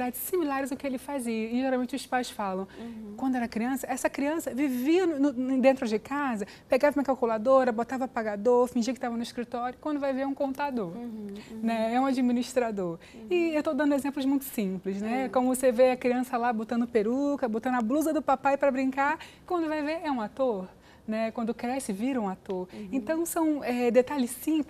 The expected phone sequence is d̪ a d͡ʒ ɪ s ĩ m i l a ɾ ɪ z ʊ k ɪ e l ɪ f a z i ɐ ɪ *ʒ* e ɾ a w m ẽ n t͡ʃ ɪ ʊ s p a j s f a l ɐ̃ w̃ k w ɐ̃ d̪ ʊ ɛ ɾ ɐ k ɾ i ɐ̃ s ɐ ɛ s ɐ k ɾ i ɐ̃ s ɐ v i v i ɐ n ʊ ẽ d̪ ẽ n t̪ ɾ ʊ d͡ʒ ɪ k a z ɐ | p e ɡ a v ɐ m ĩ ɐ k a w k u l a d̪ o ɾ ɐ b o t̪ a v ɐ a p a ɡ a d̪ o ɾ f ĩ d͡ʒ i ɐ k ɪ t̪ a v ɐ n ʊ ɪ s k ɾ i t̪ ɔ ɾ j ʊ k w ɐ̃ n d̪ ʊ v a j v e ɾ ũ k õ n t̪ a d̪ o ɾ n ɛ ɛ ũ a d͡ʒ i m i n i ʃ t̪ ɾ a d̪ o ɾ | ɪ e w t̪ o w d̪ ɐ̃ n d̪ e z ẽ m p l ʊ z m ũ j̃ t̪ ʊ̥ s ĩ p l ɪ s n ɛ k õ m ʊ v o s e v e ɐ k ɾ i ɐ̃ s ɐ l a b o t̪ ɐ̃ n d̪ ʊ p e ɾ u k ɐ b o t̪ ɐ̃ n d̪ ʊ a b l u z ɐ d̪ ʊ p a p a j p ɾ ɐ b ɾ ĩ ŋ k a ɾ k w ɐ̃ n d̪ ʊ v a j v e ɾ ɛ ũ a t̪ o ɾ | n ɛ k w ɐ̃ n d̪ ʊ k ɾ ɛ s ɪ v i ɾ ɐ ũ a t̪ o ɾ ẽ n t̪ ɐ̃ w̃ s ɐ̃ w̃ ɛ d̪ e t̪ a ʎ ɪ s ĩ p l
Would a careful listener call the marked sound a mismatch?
no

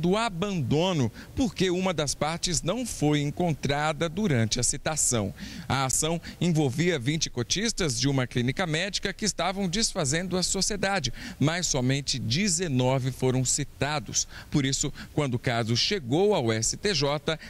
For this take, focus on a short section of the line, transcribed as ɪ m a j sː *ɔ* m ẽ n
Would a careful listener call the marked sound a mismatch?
no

